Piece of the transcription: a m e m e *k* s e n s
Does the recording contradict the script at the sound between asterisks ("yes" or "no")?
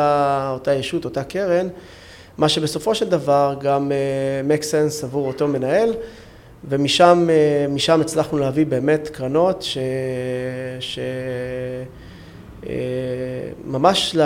no